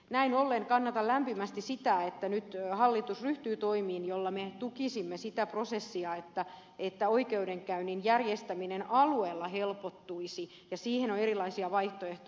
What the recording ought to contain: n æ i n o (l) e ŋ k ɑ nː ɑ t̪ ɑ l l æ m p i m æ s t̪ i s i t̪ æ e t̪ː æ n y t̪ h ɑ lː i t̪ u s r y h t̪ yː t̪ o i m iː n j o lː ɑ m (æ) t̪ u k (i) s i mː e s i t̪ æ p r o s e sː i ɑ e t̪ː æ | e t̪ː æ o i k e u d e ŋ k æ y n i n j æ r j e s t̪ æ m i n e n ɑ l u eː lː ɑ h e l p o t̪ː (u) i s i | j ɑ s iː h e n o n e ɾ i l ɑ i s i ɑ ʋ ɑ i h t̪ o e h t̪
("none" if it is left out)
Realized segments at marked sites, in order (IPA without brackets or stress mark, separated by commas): lː, e, i, u